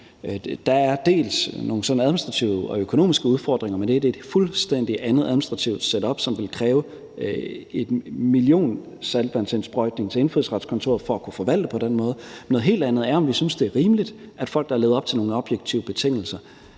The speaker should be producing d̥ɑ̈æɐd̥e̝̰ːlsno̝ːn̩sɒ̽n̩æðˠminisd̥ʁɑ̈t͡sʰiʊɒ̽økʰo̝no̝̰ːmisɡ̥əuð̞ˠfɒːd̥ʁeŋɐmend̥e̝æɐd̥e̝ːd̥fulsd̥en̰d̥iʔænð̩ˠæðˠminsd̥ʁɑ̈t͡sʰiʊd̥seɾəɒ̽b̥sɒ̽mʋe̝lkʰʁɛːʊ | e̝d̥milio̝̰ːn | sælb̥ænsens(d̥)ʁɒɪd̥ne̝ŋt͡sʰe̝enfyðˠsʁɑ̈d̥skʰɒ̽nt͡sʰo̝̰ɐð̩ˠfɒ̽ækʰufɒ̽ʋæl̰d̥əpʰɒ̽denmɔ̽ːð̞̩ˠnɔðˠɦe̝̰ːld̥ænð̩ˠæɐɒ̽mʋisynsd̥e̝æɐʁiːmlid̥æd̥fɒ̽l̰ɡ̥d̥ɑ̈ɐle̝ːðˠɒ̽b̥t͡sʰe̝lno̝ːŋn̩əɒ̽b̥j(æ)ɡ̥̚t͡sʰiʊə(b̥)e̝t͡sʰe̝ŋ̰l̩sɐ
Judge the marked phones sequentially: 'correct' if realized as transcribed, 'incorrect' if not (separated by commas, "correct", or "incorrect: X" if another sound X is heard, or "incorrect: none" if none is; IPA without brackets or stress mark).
incorrect: b̥, incorrect: e, correct